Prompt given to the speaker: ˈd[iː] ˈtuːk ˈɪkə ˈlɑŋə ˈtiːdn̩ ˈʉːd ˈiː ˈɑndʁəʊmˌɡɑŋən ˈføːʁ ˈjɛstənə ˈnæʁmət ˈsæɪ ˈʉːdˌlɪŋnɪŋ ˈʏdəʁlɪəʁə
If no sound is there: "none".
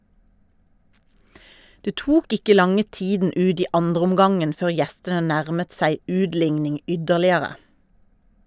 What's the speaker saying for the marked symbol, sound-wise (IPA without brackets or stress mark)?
eː